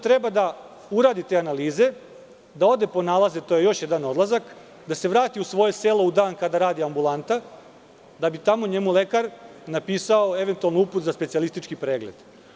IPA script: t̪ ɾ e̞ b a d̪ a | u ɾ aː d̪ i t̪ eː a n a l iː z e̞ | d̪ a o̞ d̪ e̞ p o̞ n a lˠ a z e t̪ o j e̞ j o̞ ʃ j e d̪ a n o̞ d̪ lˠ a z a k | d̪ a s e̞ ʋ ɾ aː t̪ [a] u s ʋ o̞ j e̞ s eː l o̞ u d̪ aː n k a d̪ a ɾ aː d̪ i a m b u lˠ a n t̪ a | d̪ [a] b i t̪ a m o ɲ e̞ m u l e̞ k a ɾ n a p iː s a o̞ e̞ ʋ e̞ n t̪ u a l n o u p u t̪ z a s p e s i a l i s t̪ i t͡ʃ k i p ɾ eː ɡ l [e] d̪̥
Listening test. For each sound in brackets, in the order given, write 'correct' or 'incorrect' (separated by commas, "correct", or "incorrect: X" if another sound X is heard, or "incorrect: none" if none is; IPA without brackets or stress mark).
incorrect: i, correct, correct